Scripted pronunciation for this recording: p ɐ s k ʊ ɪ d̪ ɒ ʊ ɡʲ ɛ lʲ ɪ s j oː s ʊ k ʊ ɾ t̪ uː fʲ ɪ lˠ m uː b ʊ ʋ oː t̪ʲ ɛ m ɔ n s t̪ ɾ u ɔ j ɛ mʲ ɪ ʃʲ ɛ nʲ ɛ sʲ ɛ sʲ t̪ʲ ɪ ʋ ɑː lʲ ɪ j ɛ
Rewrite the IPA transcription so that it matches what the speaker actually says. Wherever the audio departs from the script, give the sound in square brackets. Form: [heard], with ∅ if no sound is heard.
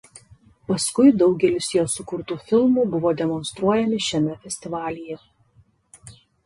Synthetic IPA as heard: p ɐ s k ʊ ɪ d̪ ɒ ʊ ɡʲ ɛ lʲ ɪ s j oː s ʊ k ʊ ɾ t̪ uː fʲ ɪ lˠ m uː b ʊ ʋ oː [d̪ʲ] ɛ m ɔ n s t̪ ɾ u ɔ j ɛ mʲ ɪ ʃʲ ɛ [mʲ] ɛ [fʲ] ɛ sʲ t̪ʲ ɪ ʋ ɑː lʲ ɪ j ɛ